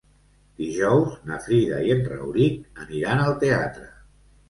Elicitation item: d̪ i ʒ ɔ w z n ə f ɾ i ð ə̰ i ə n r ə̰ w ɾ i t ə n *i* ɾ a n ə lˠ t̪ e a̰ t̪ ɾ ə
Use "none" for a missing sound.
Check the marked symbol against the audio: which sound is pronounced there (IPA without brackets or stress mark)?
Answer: i